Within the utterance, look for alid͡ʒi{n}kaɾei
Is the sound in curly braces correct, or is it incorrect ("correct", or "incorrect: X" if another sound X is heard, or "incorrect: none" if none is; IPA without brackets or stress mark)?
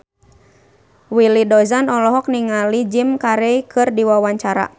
incorrect: m